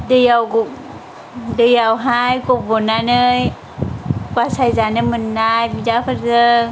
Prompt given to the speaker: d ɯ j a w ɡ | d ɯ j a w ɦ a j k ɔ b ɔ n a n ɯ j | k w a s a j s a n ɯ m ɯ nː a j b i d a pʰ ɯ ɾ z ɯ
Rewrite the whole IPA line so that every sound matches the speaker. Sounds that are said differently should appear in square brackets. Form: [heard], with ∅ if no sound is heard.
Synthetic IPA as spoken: d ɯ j a w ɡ | d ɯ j a w ɦ a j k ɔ b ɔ n a n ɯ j | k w a s a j [z] a n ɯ m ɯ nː a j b i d a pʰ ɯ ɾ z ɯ